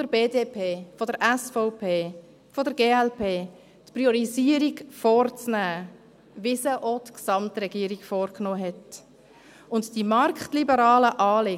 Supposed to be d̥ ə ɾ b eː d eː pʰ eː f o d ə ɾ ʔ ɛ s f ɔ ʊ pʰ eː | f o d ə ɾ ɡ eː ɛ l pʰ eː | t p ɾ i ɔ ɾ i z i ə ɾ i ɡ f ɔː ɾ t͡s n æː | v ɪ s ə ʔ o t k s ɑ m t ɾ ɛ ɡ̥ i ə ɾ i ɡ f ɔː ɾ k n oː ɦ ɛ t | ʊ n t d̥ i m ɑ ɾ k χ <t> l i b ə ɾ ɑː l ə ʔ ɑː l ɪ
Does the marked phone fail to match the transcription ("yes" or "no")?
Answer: no